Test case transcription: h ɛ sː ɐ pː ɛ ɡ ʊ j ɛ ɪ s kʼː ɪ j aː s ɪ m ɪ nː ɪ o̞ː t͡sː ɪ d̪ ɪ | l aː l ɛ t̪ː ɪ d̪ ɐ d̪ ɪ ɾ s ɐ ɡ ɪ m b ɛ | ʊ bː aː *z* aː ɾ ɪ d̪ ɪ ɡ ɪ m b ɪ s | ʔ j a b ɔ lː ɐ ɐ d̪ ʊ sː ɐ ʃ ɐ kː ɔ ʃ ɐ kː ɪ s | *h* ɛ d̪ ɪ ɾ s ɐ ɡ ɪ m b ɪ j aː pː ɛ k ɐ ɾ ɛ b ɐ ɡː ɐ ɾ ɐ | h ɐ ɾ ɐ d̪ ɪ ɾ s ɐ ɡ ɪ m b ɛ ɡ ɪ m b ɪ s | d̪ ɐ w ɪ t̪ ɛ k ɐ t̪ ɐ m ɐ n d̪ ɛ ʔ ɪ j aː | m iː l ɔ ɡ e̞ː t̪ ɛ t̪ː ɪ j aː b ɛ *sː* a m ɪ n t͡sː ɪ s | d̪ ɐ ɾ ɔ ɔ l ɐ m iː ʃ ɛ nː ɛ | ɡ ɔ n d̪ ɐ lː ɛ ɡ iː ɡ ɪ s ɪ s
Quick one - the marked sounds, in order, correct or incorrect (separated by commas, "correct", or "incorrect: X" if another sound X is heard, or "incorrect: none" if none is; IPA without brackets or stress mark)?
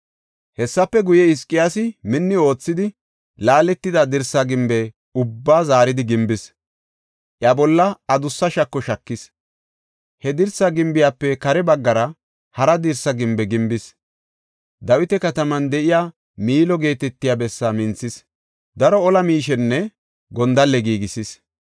correct, correct, correct